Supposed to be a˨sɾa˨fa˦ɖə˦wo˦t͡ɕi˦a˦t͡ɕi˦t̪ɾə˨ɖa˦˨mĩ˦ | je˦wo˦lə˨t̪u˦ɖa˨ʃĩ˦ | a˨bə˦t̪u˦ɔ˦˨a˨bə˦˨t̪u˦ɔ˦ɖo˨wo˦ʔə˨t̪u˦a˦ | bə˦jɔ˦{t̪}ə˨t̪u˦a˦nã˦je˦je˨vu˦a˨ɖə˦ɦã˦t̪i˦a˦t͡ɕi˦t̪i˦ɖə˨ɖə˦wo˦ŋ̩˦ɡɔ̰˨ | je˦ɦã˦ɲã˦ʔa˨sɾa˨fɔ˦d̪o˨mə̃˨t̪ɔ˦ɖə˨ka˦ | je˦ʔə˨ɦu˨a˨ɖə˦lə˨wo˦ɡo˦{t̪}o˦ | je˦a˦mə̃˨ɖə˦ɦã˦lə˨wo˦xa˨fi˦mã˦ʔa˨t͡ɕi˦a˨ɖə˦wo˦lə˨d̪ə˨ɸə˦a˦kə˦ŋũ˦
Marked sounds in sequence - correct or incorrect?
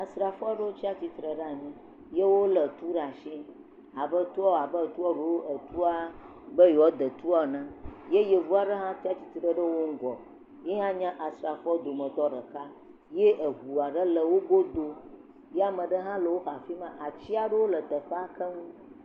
incorrect, incorrect

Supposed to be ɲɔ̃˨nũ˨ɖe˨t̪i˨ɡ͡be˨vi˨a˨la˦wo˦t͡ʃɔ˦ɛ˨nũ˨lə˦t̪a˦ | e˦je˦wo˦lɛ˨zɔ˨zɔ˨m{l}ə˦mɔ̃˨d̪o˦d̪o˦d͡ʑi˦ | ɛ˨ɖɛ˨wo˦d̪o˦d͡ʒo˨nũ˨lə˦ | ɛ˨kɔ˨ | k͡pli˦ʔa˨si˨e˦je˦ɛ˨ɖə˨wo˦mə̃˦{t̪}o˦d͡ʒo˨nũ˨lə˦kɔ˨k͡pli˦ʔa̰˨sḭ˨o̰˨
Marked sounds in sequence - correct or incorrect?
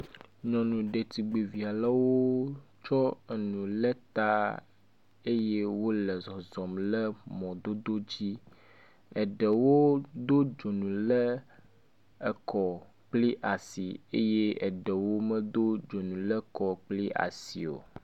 correct, incorrect

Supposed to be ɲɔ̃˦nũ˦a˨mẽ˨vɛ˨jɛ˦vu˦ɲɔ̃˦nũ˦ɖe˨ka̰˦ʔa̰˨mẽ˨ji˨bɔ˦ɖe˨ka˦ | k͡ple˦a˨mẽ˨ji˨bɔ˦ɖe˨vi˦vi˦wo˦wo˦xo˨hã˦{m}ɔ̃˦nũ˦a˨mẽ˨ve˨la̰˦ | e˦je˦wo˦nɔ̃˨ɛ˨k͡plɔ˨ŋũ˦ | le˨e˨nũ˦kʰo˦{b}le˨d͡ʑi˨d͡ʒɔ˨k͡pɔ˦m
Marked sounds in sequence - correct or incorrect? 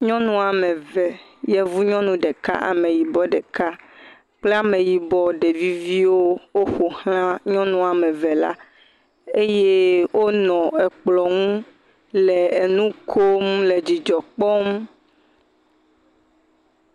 incorrect, incorrect

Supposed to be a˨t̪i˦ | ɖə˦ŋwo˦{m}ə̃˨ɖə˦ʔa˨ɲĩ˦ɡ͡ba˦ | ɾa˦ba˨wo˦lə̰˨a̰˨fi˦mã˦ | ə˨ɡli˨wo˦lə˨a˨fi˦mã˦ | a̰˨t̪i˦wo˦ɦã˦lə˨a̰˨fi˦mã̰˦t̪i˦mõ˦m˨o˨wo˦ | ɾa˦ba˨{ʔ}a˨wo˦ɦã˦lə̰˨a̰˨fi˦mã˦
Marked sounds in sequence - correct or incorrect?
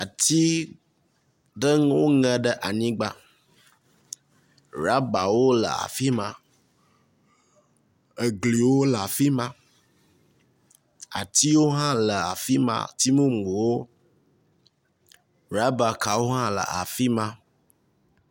incorrect, incorrect

